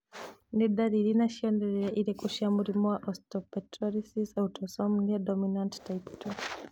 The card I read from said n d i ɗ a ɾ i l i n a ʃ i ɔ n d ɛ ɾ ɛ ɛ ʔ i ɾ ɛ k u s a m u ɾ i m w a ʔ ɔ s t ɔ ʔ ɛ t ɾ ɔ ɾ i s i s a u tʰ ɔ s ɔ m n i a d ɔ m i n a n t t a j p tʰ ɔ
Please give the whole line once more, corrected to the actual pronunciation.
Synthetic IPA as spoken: n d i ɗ a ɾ i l i n a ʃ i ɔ n d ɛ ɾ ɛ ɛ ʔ i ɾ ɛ k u ʃ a m u ɾ i m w a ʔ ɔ s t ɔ p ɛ t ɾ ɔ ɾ i s i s a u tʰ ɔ s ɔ m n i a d ɔ m i n a n t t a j p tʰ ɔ